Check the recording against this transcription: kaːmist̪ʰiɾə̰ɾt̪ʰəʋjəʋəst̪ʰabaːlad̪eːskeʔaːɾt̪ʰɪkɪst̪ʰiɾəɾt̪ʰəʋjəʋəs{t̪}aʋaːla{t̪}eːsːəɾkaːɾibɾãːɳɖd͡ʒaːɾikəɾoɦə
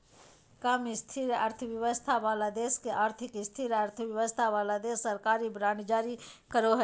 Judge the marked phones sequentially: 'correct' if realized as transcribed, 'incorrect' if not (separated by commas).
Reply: incorrect, incorrect